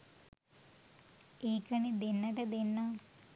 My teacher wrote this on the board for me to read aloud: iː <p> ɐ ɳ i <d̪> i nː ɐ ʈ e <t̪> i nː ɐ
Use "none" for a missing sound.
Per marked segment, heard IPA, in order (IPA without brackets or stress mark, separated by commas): k, d̪, d̪